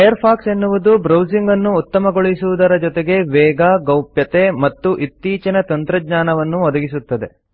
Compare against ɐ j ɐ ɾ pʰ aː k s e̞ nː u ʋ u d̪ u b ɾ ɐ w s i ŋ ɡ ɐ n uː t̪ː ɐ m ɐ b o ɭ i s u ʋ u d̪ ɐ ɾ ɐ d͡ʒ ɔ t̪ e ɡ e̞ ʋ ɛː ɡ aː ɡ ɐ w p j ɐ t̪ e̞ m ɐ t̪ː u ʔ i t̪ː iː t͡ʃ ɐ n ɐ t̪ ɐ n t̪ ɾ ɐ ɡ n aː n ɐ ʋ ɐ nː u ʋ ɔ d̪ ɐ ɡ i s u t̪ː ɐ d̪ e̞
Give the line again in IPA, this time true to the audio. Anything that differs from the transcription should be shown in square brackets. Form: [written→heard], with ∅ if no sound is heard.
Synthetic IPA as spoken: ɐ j ɐ ɾ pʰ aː k s e̞ nː u ʋ u d̪ u b ɾ ɐ w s i ŋ ɡ ɐ [n→nː] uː t̪ː ɐ m ɐ [b→ɡ] o ɭ i s u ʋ u d̪ ɐ ɾ ɐ d͡ʒ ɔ t̪ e ɡ e̞ ʋ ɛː ɡ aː ɡ ɐ w p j ɐ t̪ e̞ m ɐ t̪ː u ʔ i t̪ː iː t͡ʃ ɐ n ɐ t̪ ɐ n t̪ ɾ ɐ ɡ [n→ɲ] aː n ɐ ʋ ɐ nː u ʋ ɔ d̪ ɐ ɡ i s u t̪ː ɐ d̪ e̞

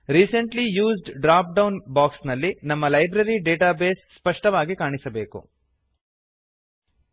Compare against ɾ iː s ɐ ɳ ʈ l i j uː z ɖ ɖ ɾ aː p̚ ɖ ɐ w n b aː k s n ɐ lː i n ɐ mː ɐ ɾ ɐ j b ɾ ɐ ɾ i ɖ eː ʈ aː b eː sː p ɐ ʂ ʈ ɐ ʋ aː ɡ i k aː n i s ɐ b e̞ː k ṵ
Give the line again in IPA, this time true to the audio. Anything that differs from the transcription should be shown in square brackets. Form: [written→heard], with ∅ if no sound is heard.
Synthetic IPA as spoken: ɾ iː s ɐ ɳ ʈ l i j uː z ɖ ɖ ɾ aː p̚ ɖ ɐ w n b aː k s n ɐ lː i n ɐ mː ɐ [ɾ→l] ɐ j b ɾ ɐ ɾ i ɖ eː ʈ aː b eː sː p ɐ ʂ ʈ ɐ ʋ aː ɡ i k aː [n→ɳ] i s ɐ b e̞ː k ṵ

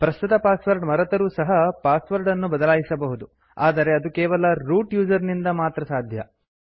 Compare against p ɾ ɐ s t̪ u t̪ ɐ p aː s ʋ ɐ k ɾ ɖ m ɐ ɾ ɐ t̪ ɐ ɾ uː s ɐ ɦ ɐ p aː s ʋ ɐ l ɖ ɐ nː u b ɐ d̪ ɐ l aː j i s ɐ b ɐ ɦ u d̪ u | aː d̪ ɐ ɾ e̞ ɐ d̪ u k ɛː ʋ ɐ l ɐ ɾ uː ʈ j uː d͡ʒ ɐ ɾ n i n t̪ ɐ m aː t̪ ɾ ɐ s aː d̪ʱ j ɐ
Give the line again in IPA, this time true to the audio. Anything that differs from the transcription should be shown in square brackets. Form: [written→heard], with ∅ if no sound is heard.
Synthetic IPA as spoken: p ɾ ɐ s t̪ u t̪ ɐ p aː s ʋ ɐ [k→∅] ɾ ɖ m ɐ ɾ ɐ t̪ ɐ ɾ uː s ɐ ɦ ɐ p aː s ʋ ɐ [l→ɾ] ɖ ɐ nː u b ɐ d̪ ɐ l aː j i s ɐ b ɐ ɦ u d̪ u | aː d̪ ɐ ɾ e̞ ɐ d̪ u k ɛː ʋ ɐ l ɐ ɾ uː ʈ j uː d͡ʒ ɐ ɾ n i n [t̪→d̪] ɐ m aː t̪ ɾ ɐ s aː d̪ʱ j ɐ

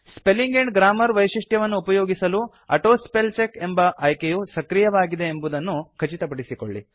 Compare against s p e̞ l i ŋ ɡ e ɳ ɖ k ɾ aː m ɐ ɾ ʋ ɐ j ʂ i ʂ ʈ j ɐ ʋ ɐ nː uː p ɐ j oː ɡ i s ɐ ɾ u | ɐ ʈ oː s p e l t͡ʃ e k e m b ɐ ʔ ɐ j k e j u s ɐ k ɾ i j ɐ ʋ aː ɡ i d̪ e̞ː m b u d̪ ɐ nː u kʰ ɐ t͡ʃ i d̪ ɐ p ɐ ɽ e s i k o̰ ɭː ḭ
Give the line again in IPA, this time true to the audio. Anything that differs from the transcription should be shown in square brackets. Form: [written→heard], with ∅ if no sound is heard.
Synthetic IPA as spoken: s p e̞ l i ŋ ɡ e ɳ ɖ [k→ɡ] ɾ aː m ɐ ɾ ʋ ɐ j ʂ i ʂ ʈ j ɐ ʋ ɐ nː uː p ɐ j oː ɡ i s ɐ [ɾ→l] u | ɐ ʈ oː s p e l t͡ʃ e k e m b ɐ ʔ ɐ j k e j u s ɐ k ɾ i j ɐ ʋ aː ɡ i d̪ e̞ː m b u d̪ ɐ nː u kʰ ɐ t͡ʃ i [d̪→t̪] ɐ p ɐ ɽ [e→i] s i k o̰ ɭː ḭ

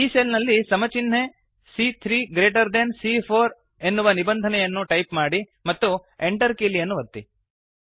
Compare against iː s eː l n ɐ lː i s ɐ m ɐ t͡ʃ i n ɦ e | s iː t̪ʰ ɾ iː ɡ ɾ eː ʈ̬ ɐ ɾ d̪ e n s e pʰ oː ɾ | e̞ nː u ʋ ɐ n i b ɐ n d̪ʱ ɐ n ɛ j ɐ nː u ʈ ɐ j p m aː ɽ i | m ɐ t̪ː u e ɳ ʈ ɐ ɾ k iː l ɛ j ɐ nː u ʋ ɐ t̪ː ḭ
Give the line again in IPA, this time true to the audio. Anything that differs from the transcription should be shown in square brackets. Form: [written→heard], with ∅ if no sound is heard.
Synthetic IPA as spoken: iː s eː l n ɐ lː i s ɐ m ɐ t͡ʃ i n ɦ e | s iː t̪ʰ ɾ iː ɡ ɾ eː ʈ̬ ɐ ɾ d̪ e n s [e→i] pʰ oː ɾ | e̞ nː u ʋ ɐ n i b ɐ n d̪ʱ ɐ n ɛ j ɐ nː u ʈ ɐ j p m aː ɽ i | m ɐ t̪ː u e ɳ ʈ ɐ ɾ k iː l [ɛ→i] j ɐ nː u ʋ ɐ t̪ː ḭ

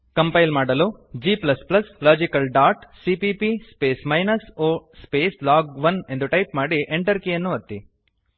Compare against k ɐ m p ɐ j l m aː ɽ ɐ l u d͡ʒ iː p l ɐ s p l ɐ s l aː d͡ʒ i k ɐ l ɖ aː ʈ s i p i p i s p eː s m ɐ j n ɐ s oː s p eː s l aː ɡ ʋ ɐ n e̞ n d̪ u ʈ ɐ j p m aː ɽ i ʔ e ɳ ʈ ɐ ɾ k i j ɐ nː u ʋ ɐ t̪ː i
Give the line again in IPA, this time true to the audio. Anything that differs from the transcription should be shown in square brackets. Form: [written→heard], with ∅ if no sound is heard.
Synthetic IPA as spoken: k ɐ m p ɐ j l m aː ɽ ɐ l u d͡ʒ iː p l ɐ s p l ɐ s l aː d͡ʒ i k ɐ l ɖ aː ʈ s i p i p i s p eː s m ɐ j n ɐ s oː s p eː s l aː ɡ ʋ ɐ n e̞ n d̪ u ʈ ɐ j p m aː ɽ i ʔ e ɳ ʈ ɐ ɾ k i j ɐ nː u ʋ ɐ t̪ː i

